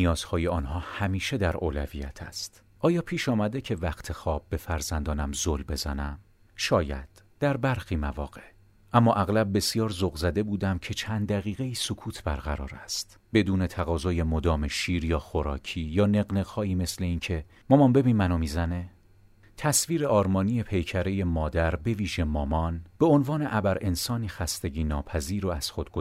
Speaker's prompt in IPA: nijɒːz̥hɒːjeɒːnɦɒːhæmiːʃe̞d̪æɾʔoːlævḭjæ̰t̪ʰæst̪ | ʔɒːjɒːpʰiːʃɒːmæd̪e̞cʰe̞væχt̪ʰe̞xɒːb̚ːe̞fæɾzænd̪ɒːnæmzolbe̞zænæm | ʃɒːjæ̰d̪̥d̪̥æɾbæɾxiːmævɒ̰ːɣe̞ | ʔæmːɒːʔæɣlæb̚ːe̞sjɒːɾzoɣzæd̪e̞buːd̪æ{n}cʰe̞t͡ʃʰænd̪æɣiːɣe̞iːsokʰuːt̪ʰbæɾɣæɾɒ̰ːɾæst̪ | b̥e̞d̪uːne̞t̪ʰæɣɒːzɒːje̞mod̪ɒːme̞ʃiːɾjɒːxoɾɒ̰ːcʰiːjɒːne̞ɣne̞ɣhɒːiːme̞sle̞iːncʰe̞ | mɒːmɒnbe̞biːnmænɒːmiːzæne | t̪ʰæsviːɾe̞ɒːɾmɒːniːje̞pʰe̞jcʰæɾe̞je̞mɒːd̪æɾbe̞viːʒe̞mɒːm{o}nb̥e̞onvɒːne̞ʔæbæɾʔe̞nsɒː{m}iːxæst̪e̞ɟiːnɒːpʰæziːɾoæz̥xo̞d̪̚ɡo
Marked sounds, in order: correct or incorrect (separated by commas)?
incorrect, incorrect, incorrect